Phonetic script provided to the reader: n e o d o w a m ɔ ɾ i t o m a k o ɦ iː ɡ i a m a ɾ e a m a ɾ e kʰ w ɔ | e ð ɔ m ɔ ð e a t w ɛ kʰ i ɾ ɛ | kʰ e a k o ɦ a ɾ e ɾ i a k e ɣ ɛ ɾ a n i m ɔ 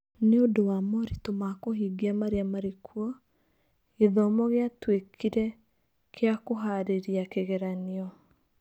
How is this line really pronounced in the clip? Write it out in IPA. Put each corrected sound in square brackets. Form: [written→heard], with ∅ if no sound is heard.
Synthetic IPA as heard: n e o d o w a m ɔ ɾ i t o m a k o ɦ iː ɡ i a m a ɾ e a m a ɾ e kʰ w ɔ | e ð ɔ m ɔ [ð→ɣ] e a t w [ɛ→e] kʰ i ɾ ɛ | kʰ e a k o ɦ a ɾ e ɾ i a k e ɣ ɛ ɾ a n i [m→∅] ɔ